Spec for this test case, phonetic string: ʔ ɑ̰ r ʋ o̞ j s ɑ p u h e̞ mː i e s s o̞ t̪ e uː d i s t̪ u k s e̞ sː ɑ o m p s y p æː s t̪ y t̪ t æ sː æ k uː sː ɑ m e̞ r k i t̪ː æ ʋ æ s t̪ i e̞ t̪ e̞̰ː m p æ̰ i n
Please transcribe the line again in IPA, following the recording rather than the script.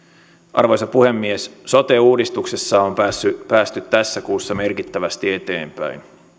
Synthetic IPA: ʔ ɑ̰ r ʋ o̞ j s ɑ p u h e̞ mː i e s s o̞ t̪ e uː d i s t̪ u k s e̞ sː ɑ o m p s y p æː s t̪ y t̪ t æ sː æ k uː sː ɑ m e̞ r k i t̪ː æ ʋ æ s t̪ i e̞ t̪ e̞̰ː m p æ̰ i n